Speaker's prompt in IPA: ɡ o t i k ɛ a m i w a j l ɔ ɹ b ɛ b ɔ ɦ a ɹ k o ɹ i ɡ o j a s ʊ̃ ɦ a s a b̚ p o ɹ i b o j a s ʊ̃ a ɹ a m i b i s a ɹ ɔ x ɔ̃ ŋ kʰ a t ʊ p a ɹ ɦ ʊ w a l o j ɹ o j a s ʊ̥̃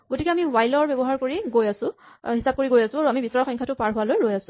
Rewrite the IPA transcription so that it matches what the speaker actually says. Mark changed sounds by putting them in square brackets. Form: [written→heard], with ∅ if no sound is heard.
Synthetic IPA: ɡ o t i k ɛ a m i w a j l ɔ ɹ b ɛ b ɔ ɦ a ɹ k o ɹ i ɡ o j a s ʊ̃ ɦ [a→i] s a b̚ [p→k] o ɹ i [b→ɡ] o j a s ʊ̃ a ɹ a m i b i s a ɹ ɔ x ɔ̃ ŋ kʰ a t ʊ p a ɹ ɦ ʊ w a l o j ɹ o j a s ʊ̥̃